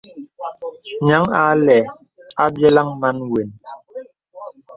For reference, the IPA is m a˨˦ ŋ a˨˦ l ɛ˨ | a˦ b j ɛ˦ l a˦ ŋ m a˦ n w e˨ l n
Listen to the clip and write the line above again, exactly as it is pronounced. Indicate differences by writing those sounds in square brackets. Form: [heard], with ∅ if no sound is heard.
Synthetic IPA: [ɲ] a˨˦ ŋ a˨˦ l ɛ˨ | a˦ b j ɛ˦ l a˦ ŋ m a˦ n w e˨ [∅] n